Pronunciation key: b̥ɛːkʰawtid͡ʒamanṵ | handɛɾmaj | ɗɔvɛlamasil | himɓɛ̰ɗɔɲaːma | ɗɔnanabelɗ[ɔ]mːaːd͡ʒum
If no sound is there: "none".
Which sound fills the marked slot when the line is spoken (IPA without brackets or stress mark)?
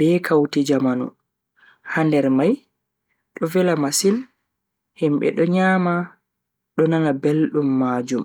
u